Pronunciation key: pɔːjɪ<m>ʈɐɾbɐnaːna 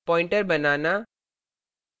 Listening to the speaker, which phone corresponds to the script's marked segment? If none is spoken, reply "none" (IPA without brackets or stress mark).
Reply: ɳ